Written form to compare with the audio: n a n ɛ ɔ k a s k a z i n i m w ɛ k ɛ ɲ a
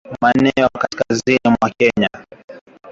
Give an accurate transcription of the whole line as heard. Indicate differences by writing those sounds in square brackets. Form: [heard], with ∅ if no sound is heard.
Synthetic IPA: [m] a n ɛ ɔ k a s k a z i n i m w [a] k ɛ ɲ a